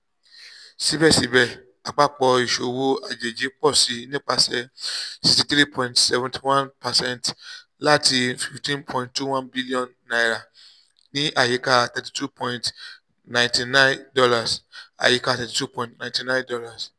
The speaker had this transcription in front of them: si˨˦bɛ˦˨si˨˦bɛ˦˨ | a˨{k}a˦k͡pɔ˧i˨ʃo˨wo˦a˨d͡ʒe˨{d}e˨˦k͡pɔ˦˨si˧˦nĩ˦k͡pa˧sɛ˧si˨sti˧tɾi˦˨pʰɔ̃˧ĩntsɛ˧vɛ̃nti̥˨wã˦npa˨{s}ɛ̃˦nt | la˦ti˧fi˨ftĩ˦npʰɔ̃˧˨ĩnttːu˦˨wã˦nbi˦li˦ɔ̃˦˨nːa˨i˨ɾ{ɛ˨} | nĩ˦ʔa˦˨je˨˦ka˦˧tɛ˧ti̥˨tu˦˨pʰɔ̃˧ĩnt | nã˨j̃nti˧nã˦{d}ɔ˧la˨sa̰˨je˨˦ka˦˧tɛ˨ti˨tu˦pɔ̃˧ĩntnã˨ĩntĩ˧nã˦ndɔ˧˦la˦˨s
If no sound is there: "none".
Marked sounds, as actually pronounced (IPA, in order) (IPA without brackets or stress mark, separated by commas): k͡p, d͡ʒ, s, a˨, d